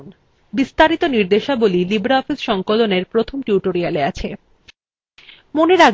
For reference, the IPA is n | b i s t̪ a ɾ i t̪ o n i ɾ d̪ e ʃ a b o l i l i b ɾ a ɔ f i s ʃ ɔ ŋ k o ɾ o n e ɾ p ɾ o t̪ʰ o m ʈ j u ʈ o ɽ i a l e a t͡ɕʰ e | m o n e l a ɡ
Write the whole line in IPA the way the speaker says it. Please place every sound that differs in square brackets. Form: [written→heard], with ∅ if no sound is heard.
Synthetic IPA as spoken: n | b i s t̪ a ɾ i t̪ o n i ɾ d̪ e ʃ a b o l i l i b ɾ a ɔ f i s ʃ ɔ ŋ k o [ɾ→l] o n e ɾ p ɾ o t̪ʰ o m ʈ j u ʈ o [ɽ→ɾ] i a l e a t͡ɕʰ e | m o n e [l→ɾ] a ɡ